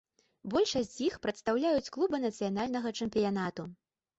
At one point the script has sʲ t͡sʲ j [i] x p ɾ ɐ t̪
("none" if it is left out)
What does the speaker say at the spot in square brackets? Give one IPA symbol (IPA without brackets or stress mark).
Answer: i